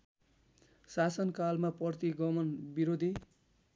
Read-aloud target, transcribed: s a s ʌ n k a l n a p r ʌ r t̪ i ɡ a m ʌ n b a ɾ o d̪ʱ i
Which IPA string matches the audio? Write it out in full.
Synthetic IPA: s a s ʌ n k a l m a p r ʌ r t̪ i ɡ ʌ m ʌ n b i ɾ o d̪ʱ i